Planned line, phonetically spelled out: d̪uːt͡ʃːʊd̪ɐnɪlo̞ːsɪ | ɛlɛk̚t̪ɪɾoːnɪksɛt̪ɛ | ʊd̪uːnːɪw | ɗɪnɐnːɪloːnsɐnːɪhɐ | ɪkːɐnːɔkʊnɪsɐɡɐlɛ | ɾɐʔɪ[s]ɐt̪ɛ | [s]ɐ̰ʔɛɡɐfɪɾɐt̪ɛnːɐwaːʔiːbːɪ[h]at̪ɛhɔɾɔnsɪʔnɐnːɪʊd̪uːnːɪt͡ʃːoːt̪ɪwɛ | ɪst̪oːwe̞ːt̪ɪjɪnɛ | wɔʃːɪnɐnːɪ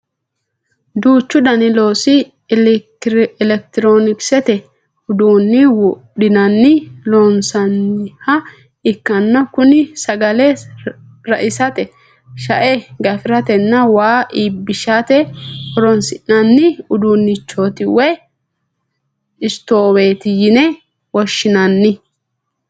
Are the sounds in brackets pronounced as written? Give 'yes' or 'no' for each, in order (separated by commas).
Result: yes, no, no